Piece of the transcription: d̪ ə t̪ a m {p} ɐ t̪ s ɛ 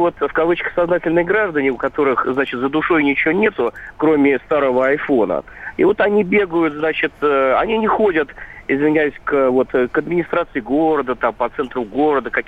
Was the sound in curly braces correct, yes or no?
yes